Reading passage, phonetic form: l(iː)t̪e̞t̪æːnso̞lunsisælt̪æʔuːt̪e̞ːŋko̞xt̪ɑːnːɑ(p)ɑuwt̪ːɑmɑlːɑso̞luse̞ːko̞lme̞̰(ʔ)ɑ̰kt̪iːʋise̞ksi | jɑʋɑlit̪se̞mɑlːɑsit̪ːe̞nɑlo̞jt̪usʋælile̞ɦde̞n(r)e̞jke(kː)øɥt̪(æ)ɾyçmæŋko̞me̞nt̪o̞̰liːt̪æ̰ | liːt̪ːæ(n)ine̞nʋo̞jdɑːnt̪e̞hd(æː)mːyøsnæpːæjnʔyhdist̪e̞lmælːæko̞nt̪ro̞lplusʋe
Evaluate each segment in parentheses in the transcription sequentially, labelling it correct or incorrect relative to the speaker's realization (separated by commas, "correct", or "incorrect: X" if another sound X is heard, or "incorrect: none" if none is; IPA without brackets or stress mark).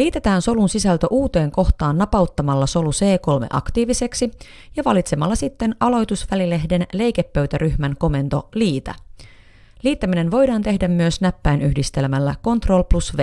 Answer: correct, correct, correct, incorrect: l, incorrect: pː, correct, incorrect: m, incorrect: æ